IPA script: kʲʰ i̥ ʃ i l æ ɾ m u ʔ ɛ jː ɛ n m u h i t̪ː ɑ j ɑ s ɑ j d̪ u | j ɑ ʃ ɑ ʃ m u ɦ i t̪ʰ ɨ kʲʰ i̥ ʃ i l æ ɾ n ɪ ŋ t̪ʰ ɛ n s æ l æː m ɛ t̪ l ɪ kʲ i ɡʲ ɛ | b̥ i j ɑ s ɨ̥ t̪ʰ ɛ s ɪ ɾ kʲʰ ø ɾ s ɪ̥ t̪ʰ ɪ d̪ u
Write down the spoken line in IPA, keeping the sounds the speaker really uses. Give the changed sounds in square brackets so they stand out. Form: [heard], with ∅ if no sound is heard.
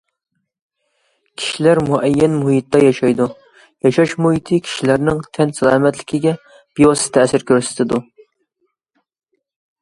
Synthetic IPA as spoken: kʲʰ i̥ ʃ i l æ ɾ m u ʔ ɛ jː ɛ n m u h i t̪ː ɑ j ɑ [ʃ] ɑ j d̪ u | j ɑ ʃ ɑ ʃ m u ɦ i t̪ʰ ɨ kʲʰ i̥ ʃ i l æ ɾ n ɪ ŋ t̪ʰ ɛ n s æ l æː m ɛ t̪ l ɪ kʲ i ɡʲ ɛ | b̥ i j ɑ s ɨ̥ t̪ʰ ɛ s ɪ ɾ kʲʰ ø ɾ s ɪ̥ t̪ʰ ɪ d̪ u